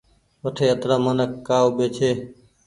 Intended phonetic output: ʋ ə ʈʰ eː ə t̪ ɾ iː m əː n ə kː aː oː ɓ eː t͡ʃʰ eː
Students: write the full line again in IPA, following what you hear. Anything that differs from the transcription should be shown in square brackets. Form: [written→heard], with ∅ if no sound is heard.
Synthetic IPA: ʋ ə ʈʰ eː ə t̪ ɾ [iː→aː] m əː n ə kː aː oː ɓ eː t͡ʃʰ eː